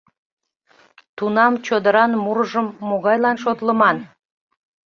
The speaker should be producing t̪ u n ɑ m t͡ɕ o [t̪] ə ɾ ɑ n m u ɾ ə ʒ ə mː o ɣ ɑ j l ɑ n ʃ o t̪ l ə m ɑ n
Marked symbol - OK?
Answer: no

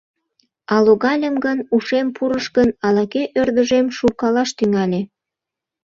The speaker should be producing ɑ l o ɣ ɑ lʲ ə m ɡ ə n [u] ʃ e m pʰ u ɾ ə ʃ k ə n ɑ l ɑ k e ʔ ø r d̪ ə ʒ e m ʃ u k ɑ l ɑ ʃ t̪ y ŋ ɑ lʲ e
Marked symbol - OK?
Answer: yes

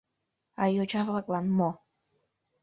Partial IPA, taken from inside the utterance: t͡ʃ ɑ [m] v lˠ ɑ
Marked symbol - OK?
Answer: no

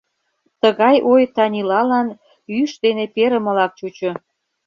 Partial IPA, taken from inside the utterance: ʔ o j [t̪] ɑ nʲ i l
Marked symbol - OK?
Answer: yes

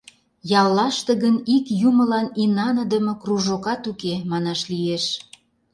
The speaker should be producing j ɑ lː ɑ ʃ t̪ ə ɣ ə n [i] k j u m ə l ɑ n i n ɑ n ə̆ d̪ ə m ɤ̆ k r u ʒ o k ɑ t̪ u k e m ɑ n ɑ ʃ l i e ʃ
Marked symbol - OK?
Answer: yes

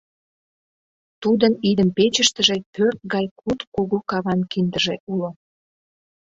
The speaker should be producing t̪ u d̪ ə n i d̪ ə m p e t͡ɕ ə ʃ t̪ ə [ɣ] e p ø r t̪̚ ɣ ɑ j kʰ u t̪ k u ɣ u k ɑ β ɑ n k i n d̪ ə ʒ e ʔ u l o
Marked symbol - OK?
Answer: no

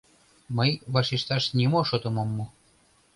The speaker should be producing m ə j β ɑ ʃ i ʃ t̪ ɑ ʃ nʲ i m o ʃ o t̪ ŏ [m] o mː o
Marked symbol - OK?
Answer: yes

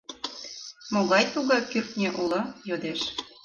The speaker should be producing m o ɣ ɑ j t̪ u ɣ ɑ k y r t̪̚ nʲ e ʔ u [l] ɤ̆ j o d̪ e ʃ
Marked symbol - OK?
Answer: yes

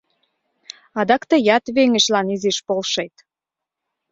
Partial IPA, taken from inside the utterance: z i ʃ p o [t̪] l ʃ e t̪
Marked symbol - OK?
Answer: no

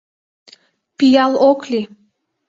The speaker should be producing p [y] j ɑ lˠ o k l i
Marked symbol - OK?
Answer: no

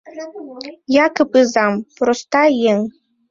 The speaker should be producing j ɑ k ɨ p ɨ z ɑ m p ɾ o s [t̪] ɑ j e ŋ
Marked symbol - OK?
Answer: yes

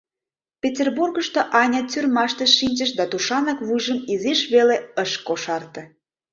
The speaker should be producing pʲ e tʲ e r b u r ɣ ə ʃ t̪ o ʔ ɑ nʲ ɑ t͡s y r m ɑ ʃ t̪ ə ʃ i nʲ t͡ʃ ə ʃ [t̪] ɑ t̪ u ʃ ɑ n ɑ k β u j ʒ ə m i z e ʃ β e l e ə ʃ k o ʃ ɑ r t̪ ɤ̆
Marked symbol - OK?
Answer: no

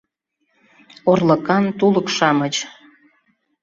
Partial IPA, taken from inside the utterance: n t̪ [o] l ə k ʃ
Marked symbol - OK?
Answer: no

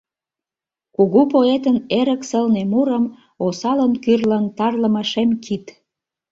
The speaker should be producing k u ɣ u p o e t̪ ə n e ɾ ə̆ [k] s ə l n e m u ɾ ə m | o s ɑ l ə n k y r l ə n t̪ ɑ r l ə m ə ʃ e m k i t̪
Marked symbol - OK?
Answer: yes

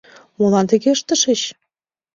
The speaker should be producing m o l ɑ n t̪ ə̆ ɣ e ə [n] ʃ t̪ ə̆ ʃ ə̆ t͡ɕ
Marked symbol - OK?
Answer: no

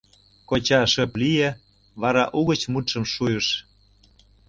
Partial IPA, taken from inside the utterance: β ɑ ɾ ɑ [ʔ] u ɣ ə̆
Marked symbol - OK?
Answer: yes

